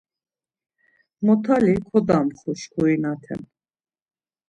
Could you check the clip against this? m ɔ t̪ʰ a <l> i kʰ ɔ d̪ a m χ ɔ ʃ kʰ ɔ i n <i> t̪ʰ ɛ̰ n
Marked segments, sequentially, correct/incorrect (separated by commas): correct, incorrect